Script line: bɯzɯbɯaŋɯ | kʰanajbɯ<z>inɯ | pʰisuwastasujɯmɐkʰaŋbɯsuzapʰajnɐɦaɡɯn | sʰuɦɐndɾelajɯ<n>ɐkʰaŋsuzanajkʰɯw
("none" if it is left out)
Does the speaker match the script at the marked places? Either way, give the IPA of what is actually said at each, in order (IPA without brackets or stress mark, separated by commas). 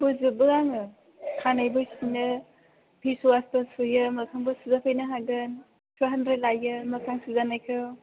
s, m